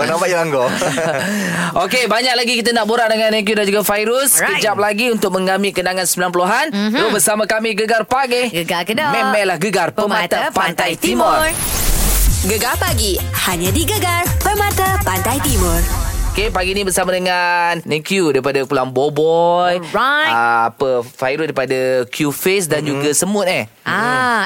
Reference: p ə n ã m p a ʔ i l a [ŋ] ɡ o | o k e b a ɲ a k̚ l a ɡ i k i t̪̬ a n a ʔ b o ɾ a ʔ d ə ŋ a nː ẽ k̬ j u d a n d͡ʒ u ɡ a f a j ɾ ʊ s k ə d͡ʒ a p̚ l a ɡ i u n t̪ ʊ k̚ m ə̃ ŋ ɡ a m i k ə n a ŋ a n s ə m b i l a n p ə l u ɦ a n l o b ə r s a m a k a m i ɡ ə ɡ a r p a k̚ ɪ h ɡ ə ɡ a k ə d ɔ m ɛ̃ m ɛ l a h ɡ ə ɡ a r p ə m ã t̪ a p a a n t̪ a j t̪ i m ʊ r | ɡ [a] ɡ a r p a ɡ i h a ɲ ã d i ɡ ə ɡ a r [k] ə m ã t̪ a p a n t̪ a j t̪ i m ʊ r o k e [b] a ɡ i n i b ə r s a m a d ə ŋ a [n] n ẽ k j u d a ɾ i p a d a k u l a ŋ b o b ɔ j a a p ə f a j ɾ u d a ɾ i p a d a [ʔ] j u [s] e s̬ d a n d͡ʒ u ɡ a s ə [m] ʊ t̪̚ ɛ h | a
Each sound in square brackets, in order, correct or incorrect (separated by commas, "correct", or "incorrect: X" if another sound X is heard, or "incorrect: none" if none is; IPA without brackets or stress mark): correct, incorrect: ə, incorrect: p, incorrect: p, correct, incorrect: k, incorrect: f, correct